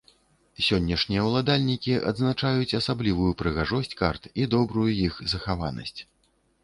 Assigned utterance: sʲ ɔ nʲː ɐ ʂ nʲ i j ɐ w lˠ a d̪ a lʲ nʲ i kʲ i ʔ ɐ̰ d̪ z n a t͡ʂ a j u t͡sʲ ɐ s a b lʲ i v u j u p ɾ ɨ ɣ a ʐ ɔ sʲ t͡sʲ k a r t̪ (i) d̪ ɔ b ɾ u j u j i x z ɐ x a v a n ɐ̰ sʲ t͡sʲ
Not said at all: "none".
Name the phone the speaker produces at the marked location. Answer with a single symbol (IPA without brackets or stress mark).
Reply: i